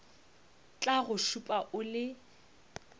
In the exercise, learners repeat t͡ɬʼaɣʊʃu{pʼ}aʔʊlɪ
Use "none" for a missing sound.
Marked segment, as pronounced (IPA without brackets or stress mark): pʼ